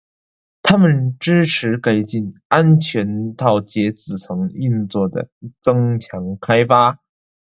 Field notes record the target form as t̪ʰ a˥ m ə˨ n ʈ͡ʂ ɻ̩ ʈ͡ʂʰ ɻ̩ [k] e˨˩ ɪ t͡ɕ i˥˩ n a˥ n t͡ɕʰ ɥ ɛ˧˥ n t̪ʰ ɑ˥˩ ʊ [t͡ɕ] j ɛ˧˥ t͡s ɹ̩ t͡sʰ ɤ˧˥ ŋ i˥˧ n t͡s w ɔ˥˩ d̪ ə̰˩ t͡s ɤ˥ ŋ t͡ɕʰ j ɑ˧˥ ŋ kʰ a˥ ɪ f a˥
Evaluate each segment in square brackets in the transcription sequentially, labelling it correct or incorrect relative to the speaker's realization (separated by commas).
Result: correct, correct